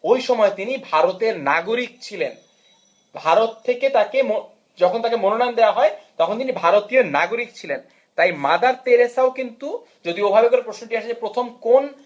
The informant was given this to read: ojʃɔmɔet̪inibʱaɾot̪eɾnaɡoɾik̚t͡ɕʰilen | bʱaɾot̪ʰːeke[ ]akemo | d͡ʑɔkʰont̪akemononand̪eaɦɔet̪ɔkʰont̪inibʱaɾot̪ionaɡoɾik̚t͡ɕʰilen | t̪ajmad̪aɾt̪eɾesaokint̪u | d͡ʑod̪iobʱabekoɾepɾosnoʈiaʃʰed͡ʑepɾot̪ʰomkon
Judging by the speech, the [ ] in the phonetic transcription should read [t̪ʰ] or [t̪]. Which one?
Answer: t̪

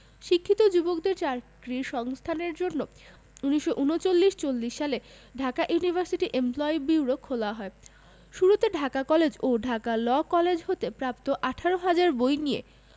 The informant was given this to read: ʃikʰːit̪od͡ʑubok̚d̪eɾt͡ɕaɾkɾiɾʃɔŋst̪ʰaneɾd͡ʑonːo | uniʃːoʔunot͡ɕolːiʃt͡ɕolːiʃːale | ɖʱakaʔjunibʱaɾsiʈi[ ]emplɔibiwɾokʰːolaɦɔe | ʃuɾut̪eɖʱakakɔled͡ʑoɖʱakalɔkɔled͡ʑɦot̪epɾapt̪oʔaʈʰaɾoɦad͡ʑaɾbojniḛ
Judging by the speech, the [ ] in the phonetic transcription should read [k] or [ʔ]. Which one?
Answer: ʔ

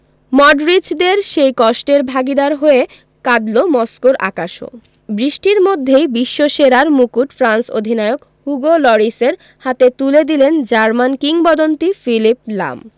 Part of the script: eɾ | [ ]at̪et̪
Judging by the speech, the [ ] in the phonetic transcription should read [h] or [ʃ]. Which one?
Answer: h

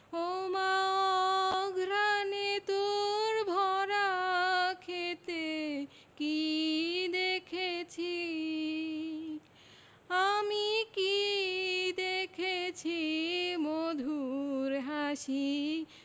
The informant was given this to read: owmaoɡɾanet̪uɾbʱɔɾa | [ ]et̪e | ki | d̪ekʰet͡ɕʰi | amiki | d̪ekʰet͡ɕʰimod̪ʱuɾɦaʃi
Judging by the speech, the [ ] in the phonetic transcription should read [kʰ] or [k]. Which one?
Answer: kʰ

